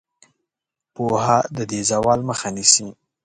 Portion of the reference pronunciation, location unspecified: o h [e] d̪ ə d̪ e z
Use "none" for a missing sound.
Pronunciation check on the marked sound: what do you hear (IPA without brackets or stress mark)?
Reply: a